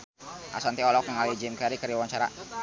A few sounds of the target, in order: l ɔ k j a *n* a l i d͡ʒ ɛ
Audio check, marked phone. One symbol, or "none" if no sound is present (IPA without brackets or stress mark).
ŋ